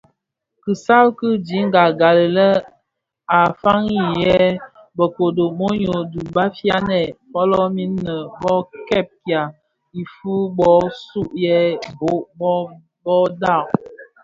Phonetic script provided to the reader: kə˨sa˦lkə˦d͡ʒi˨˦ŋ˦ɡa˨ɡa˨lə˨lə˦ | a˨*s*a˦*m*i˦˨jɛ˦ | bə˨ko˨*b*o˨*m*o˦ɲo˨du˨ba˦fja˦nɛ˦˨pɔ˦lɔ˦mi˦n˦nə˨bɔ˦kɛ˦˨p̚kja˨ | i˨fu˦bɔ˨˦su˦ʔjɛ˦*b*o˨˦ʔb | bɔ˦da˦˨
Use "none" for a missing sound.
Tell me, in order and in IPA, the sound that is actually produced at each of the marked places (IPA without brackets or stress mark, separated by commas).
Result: f, ŋ, d, m, b